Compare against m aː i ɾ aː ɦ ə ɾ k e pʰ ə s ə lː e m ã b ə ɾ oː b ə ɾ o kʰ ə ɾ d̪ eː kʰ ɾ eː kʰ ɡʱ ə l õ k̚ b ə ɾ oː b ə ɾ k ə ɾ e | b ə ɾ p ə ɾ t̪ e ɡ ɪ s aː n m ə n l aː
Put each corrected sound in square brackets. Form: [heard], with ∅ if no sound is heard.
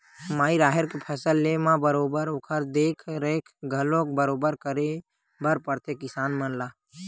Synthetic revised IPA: m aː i ɾ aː ɦ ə ɾ k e pʰ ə s ə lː e m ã b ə ɾ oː b ə ɾ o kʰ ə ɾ d̪ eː kʰ ɾ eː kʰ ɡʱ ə l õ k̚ b ə ɾ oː b ə ɾ k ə ɾ e | b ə ɾ p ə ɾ t̪ e [k] ɪ s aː n m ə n l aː